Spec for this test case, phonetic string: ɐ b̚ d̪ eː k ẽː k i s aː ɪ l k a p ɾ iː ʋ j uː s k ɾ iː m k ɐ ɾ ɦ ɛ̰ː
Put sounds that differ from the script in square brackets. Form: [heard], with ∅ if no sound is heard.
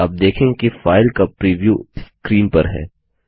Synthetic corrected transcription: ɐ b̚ d̪ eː [kʰ] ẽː k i [f] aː ɪ l k a p ɾ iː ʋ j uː s k ɾ iː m [p] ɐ ɾ ɦ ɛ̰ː